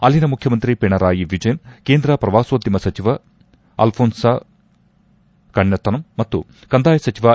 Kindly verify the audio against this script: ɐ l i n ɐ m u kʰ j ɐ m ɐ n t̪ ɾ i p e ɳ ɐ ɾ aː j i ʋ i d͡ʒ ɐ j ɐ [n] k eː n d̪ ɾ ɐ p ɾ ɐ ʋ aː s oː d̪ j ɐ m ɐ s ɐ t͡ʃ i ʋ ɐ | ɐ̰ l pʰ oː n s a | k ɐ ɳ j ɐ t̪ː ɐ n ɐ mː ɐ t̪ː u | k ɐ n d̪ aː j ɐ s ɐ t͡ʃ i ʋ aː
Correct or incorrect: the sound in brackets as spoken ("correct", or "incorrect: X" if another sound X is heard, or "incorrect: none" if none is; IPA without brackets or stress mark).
correct